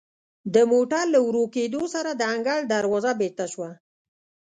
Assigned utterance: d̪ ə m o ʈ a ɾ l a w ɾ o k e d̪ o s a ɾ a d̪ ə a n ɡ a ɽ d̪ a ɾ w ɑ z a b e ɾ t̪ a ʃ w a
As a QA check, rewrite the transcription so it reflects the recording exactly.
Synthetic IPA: d̪ ə m o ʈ a ɾ l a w ɾ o k e d̪ o s a ɾ a d̪ ə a ŋ ɡ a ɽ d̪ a ɾ w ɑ z a b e ɾ t̪ a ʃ w a